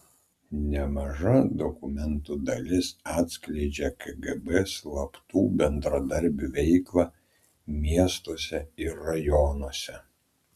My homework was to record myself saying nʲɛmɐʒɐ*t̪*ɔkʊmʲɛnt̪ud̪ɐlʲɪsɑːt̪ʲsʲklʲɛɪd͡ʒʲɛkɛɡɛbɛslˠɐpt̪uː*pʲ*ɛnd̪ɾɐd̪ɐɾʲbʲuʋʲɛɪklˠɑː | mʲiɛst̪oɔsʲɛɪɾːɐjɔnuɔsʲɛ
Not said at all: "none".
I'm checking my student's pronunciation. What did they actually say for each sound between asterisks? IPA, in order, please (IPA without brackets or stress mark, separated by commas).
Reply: d̪, bʲ